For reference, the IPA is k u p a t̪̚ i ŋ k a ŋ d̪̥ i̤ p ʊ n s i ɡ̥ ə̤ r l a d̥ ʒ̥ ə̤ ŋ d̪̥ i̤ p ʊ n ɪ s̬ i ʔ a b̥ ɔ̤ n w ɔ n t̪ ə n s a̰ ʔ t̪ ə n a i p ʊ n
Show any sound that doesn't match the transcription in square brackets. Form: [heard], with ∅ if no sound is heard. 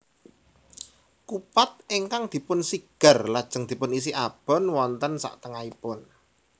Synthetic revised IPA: k u p a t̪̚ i ŋ k a ŋ d̪̥ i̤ p ʊ n s i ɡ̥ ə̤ r l a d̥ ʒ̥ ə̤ ŋ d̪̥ i̤ p ʊ n [i] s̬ i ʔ a b̥ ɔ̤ n w ɔ n t̪ ə n s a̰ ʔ t̪ ə [ŋ] a i p ʊ n